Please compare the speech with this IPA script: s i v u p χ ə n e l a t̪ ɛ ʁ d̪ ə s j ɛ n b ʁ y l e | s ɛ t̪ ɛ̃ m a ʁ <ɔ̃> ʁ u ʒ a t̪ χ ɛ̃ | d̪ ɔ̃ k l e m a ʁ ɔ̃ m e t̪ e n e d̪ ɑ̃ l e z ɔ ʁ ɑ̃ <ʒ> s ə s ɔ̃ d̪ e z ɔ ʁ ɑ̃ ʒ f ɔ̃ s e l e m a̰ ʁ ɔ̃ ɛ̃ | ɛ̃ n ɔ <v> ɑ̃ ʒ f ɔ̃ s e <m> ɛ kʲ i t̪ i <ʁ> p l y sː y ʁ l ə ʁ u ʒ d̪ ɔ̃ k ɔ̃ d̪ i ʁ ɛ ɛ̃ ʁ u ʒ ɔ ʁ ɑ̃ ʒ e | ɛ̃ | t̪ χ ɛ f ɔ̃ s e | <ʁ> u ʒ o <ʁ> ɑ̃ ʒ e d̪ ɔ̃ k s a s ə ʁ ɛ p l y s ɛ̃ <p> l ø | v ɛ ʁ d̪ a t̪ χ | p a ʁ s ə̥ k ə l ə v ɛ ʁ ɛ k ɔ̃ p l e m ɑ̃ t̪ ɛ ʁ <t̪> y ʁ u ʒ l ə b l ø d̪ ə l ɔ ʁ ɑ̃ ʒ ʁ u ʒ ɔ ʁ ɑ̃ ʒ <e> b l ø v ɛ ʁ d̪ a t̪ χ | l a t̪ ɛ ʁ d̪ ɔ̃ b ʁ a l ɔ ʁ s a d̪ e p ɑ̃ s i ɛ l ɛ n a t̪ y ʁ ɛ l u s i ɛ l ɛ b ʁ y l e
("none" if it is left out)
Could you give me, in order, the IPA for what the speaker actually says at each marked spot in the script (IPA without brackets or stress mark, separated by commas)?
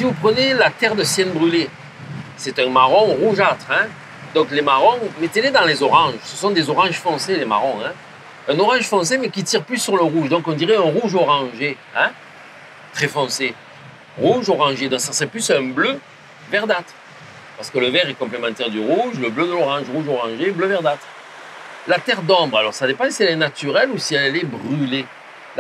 ɔ̃, ʒ, ʁ, m, ʁ, ʁ, ʁ, b, d̪, e